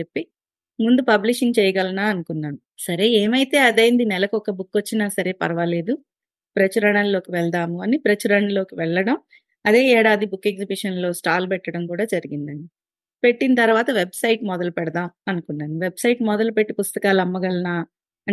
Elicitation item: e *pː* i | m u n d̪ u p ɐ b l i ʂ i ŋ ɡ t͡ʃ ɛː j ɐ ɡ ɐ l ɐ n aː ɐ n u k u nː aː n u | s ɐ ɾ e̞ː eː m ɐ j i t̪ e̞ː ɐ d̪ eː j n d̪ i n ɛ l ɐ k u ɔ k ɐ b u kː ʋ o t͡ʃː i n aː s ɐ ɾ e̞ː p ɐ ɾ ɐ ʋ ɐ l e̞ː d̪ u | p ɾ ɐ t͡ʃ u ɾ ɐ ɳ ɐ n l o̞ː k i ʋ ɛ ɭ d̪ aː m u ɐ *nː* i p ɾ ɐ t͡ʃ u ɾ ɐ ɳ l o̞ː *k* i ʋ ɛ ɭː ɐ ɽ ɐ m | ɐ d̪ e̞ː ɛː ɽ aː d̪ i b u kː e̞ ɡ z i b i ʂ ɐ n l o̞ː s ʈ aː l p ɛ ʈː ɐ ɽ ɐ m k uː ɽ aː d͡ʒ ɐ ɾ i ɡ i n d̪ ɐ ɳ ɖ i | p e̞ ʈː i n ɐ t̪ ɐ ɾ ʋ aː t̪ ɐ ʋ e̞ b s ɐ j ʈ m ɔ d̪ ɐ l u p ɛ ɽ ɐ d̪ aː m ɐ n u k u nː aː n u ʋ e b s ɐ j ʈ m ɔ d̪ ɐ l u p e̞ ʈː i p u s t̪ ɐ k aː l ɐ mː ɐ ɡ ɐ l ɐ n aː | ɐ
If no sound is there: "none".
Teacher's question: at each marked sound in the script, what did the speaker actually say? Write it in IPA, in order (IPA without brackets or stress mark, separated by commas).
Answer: pː, n, k